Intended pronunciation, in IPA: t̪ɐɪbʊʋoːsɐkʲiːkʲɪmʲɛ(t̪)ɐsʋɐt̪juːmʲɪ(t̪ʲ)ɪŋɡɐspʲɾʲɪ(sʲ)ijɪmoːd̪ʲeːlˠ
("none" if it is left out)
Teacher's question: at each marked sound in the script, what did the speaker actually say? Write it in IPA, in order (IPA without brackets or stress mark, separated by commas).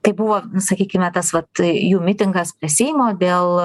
t̪, t̪ʲ, sʲ